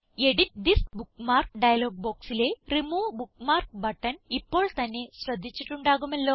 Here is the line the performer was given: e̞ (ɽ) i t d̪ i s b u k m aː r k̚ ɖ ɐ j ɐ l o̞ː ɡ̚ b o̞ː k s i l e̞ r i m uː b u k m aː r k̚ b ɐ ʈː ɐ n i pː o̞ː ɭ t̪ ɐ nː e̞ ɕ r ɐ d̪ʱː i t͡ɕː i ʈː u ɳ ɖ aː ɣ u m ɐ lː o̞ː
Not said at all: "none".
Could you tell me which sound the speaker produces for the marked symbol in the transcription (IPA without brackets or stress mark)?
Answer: ɽ